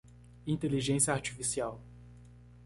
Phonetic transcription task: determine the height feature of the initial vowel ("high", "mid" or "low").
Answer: high